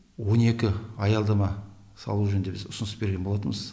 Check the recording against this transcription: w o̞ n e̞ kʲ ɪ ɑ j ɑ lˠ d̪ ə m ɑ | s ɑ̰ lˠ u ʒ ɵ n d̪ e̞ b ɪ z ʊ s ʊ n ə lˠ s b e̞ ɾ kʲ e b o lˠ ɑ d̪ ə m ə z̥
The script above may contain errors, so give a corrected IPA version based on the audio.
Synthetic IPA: w o̞ n e̞ kʲ ɪ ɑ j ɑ lˠ d̪ ɑ m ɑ | s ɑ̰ lˠ u ʒ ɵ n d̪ e̞ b ɪ z ʊ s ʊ n ə s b e̞ ɾ ɡʲ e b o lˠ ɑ t̪ ə m ə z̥